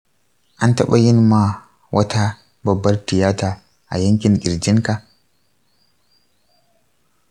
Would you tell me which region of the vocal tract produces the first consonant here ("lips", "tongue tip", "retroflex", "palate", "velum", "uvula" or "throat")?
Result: throat